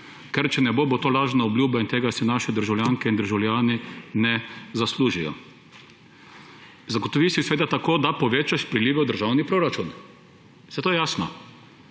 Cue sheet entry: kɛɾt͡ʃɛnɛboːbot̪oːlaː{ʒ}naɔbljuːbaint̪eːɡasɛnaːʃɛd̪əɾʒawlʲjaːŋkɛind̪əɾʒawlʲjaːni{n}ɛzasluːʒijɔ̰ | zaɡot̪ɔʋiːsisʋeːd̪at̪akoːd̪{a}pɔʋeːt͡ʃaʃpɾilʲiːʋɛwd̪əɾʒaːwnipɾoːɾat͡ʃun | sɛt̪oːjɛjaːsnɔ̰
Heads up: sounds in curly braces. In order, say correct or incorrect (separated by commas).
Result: correct, correct, correct